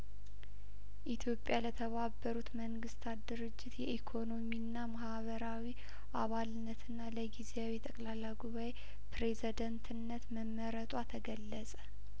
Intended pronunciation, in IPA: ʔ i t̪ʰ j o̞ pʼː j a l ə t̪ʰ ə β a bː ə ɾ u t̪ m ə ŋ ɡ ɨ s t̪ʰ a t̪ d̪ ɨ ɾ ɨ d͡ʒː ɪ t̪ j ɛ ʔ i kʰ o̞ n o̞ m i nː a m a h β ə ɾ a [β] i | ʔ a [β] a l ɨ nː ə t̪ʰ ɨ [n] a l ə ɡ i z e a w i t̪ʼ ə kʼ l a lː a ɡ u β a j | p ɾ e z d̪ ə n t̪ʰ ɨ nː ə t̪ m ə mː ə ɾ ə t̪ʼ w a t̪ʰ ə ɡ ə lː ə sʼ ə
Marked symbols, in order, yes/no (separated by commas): no, yes, no